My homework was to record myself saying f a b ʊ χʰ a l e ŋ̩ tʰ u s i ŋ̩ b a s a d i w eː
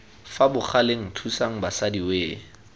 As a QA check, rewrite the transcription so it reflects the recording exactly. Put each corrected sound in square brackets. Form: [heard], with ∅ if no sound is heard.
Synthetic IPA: f a b ʊ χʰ a l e ŋ̩ tʰ u s [a] ŋ̩ b a s a d i w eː